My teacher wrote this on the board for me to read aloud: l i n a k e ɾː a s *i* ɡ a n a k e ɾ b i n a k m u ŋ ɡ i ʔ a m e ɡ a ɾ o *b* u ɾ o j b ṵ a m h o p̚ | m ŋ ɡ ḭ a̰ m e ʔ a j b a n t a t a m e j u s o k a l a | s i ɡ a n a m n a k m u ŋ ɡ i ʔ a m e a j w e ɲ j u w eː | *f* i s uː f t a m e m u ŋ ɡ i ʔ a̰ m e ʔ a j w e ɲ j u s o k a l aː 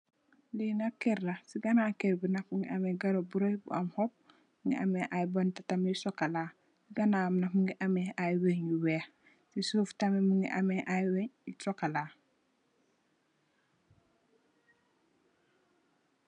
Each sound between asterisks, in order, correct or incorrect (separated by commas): correct, correct, incorrect